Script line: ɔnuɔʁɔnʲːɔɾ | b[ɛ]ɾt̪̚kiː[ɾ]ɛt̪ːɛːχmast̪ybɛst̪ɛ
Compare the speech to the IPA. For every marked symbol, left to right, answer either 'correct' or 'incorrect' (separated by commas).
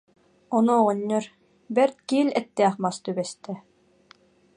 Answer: correct, incorrect